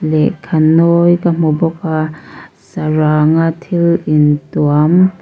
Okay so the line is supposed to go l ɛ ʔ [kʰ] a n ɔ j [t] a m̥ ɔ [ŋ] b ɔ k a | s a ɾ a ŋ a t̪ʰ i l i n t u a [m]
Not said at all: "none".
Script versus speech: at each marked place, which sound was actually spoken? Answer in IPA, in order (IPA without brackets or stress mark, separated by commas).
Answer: kʰ, k, none, m